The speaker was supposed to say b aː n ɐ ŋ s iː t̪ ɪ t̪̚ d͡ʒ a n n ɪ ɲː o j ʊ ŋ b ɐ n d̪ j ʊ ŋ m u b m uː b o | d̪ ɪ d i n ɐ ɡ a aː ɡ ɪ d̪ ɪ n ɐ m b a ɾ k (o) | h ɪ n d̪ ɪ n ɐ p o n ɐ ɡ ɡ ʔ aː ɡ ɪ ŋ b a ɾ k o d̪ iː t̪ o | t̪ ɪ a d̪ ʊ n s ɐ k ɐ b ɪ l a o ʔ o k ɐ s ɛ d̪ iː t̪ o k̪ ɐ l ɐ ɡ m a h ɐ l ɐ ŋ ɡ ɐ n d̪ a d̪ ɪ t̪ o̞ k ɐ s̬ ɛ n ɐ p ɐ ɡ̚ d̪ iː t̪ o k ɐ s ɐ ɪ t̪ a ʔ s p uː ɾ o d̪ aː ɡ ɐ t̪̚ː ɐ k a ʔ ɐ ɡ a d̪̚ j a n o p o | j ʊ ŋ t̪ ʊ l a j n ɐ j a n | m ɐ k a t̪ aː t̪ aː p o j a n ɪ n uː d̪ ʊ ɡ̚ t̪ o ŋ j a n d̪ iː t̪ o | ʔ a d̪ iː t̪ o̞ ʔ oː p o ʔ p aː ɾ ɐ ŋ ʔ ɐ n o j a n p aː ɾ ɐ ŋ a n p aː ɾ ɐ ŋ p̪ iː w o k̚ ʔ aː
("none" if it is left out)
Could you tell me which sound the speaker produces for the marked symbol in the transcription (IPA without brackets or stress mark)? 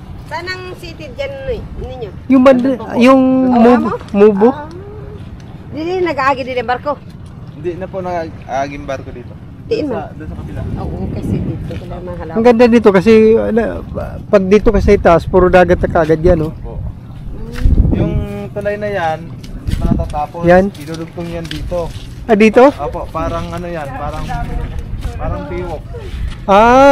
o